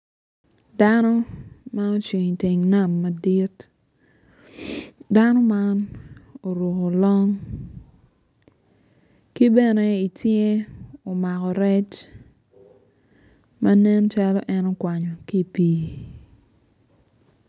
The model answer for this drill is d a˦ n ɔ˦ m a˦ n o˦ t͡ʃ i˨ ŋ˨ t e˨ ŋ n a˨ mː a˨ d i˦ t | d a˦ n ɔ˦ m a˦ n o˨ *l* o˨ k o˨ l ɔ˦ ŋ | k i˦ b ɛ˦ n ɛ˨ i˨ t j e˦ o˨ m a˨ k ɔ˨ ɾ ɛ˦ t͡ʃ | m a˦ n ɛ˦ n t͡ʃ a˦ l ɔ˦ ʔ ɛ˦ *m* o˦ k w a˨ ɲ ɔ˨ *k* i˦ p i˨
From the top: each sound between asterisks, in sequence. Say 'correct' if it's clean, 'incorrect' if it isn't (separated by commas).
incorrect, incorrect, correct